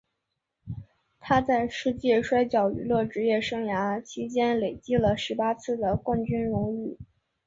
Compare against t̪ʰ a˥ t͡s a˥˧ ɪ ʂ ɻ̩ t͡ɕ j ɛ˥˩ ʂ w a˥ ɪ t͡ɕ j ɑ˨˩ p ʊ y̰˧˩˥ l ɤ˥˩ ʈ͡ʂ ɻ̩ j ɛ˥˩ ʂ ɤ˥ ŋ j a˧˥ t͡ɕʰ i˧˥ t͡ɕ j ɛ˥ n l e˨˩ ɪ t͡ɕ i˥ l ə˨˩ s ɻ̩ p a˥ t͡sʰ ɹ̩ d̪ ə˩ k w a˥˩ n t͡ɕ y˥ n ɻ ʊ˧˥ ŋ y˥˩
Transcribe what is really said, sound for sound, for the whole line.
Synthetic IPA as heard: t̪ʰ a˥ t͡s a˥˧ ɪ ʂ ɻ̩ t͡ɕ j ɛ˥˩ ʂ w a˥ ɪ t͡ɕ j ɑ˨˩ ʊ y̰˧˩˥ l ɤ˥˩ ʈ͡ʂ ɻ̩ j ɛ˥˩ ʂ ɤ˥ ŋ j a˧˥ t͡ɕʰ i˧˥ t͡ɕ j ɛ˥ n l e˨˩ ɪ t͡ɕ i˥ l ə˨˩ ʂ ɻ̩ p a˥ t͡sʰ ɹ̩ d̪ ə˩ k w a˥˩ n t͡ɕ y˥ n ɻ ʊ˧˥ ŋ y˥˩

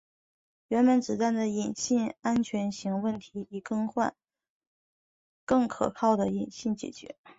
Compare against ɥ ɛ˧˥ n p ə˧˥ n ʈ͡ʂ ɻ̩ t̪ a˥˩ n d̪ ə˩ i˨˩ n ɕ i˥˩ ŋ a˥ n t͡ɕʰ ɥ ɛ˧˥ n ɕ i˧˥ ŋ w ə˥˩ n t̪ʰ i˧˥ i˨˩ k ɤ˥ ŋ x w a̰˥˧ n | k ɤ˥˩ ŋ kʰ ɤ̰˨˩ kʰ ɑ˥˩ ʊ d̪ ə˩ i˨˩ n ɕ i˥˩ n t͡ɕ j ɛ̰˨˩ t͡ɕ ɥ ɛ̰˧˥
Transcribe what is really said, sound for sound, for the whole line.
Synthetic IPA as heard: ɥ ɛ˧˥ n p ə˧˥ n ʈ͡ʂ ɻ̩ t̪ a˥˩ n d̪ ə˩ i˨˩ n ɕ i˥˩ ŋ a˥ n t͡ɕʰ ɥ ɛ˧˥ n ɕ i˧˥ ŋ w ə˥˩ n t̪ʰ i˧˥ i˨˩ k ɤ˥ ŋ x w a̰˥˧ n | k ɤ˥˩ ŋ kʰ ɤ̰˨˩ kʰ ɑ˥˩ ʊ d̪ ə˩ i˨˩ n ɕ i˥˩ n t͡ɕ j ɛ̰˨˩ t͡ɕ ɥ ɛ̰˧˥

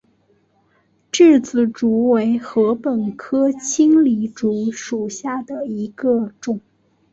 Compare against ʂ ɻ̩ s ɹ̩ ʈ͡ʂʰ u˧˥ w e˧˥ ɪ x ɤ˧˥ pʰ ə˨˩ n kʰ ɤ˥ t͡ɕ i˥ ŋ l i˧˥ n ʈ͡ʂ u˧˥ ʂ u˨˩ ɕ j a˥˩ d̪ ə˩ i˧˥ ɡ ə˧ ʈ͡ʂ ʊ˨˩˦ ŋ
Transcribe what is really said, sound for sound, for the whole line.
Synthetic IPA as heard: ʈ͡ʂ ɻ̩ t͡s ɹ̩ ʈ͡ʂ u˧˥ w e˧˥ ɪ x ɤ˧˥ p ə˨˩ n kʰ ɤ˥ t͡ɕʰ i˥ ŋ l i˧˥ ʈ͡ʂ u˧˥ ʂ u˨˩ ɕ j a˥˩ d̪ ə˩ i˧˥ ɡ ə˧ ʈ͡ʂ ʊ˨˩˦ ŋ

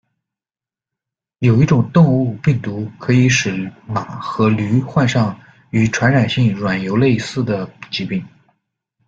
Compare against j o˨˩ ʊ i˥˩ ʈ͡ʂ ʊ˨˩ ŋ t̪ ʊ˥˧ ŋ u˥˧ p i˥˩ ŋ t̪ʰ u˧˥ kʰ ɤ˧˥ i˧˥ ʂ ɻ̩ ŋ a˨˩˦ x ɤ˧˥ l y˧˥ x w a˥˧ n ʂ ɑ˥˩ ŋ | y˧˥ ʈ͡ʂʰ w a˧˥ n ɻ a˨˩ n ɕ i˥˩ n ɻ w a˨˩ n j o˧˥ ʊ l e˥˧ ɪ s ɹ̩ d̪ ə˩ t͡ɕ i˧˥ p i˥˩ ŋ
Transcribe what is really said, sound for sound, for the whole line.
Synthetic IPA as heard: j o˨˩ ʊ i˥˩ ʈ͡ʂ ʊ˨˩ ŋ t̪ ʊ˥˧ ŋ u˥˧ p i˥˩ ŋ t̪ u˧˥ kʰ ɤ˧˥ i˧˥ ʂ ɻ̩ m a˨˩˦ x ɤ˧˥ l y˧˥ x w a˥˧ n ʂ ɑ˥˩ ŋ | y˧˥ ʈ͡ʂʰ w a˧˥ n ɻ a˨˩ n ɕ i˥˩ ŋ ɻ w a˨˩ n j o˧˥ ʊ l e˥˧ ɪ s ɹ̩ d̪ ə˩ t͡ɕ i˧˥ p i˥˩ ŋ

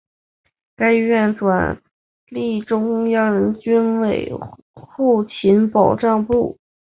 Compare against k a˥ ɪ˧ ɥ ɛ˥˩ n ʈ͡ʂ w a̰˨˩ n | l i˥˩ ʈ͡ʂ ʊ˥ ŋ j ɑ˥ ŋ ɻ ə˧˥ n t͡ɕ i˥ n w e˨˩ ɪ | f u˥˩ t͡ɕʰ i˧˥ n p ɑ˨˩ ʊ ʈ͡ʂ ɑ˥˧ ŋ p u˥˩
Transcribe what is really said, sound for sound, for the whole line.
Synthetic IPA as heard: k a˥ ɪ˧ ɥ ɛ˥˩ n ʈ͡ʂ w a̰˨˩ n | l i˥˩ ʈ͡ʂ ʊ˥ ŋ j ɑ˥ ŋ ɻ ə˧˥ n t͡ɕ y˥ n w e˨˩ ɪ | x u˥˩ t͡ɕʰ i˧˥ n p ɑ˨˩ ʊ ʈ͡ʂ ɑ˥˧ ŋ p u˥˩

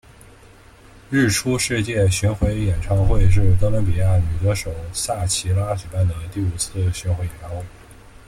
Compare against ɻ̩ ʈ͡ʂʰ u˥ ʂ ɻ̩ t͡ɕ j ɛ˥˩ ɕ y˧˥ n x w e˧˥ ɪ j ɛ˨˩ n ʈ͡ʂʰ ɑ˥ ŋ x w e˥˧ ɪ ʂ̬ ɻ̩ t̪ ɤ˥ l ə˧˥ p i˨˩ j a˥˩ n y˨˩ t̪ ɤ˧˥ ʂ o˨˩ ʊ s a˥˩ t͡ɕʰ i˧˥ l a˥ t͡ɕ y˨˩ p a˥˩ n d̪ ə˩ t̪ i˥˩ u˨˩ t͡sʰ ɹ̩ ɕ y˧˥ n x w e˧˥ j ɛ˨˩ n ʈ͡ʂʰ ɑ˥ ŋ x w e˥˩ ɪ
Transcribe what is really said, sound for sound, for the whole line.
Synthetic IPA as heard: ɻ̩ ʈ͡ʂʰ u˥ ʂ ɻ̩ t͡ɕ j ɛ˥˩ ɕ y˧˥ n x w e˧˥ ɪ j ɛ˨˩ n ʈ͡ʂʰ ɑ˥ ŋ x w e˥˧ ɪ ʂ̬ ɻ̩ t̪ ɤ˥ l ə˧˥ p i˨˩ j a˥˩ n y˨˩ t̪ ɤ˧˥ ʂ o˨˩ ʊ s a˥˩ t͡ɕʰ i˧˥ l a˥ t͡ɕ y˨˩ p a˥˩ n d̪ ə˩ t̪ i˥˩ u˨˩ t͡sʰ ɹ̩ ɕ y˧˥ n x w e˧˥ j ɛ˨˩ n ʈ͡ʂʰ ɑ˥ ŋ x w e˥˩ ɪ

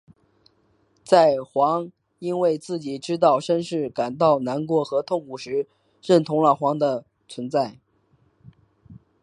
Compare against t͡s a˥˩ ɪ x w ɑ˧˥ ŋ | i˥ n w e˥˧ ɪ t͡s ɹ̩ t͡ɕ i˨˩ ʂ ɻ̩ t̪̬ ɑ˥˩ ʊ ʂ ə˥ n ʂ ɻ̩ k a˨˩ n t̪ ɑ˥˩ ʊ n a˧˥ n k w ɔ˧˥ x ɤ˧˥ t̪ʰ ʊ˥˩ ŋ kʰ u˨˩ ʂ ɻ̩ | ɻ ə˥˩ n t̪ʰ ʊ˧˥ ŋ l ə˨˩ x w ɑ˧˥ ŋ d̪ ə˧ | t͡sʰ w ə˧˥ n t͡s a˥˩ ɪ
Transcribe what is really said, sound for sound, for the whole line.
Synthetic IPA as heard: t͡s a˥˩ ɪ x w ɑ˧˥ ŋ | i˥ n w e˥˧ ɪ t͡s ɹ̩ t͡ɕ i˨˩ ʈ͡ʂ ɻ̩ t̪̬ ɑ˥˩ ʊ ʂ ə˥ n ʂ ɻ̩ k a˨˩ n t̪ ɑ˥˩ ʊ n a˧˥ n k w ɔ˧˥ x ɤ˧˥ t̪ʰ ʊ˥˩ ŋ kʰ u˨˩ ʂ ɻ̩ | ɻ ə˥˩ n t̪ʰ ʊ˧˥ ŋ l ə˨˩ x w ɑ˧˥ ŋ d̪ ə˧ | t͡sʰ w ə˧˥ n t͡s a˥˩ ɪ

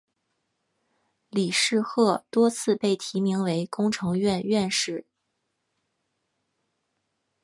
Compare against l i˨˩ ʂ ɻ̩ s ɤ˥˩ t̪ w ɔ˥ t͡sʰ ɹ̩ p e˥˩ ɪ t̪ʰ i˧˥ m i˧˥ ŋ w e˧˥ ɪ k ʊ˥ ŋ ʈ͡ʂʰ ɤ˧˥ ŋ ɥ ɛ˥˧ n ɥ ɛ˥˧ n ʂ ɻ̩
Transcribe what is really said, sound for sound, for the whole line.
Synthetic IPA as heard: l i˨˩ ʂ ɻ̩ x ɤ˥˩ t̪ w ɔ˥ t͡sʰ ɹ̩ p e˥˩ ɪ t̪ʰ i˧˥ m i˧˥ ŋ w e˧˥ ɪ k ʊ˥ ŋ ʈ͡ʂʰ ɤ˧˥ ŋ ɥ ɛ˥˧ n ɥ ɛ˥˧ n ʂ ɻ̩

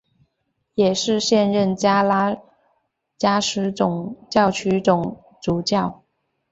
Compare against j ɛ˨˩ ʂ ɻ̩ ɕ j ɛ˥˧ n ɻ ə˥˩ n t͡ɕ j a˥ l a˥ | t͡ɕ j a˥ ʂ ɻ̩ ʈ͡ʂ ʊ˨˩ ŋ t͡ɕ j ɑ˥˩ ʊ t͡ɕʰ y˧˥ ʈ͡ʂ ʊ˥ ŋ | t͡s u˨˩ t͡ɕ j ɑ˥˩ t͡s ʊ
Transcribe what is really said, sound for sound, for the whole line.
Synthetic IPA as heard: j ɛ˨˩ ʂ ɻ̩ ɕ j ɛ˥˧ n ɻ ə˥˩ n t͡ɕ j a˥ l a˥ | t͡ɕ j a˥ ʂ ɻ̩ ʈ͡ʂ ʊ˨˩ ŋ t͡ɕ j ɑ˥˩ ʊ t͡ɕʰ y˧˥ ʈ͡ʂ ʊ˨˩ ŋ | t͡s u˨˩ t͡ɕ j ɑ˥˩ ʊ

